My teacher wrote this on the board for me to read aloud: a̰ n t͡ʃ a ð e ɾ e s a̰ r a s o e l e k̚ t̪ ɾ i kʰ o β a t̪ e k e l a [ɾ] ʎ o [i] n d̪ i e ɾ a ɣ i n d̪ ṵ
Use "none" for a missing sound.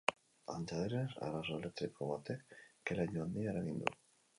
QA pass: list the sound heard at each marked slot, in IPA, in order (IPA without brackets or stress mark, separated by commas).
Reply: none, a